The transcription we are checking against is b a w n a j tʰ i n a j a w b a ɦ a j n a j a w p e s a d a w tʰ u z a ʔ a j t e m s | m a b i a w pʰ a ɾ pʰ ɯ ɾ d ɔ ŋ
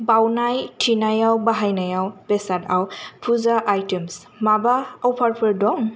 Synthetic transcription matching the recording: b a w n a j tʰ i n a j a w b a ɦ a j n a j a w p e s a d a w pʰ u z a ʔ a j t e m s | m a b a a w pʰ a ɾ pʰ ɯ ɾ d ɔ ŋ